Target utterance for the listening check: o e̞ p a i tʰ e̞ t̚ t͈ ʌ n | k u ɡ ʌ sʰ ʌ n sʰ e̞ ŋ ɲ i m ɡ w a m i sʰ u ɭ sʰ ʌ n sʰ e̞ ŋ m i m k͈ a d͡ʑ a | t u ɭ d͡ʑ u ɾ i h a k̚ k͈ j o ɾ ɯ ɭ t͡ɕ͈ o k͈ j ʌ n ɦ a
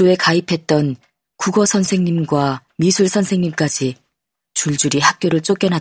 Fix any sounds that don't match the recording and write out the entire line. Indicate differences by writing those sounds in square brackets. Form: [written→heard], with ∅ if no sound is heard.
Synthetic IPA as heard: o e̞ [p→k] a i [tʰ→pʰ] e̞ t̚ t͈ ʌ n | k u ɡ ʌ sʰ ʌ n sʰ e̞ ŋ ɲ i m ɡ w a m i sʰ u ɭ sʰ ʌ n sʰ e̞ ŋ [m→ɲ] i m k͈ a d͡ʑ [a→i] | [t→t͡ɕ] u ɭ d͡ʑ u ɾ i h a k̚ k͈ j o ɾ ɯ ɭ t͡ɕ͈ o k͈ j ʌ n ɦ a